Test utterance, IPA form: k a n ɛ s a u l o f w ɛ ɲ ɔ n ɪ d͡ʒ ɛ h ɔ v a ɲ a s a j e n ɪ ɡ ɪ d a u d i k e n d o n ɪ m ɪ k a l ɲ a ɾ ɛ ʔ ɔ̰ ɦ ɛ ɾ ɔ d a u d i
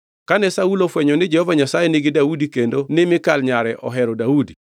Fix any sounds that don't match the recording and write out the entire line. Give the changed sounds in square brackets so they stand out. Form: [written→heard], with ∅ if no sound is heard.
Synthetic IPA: k a n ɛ s a u l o f w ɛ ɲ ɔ n ɪ d͡ʒ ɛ h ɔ v a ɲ a s a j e n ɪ ɡ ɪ d a u d i k e n d o n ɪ m ɪ k a l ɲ a ɾ ɛ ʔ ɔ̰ ɦ ɛ ɾ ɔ d a u d i